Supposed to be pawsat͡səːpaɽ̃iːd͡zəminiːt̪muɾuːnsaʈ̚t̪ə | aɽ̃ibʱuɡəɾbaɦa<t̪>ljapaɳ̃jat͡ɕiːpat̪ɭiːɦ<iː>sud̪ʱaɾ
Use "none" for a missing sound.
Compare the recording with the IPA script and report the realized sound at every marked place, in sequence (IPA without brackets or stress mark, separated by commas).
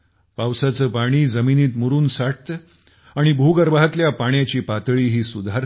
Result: t̪, iː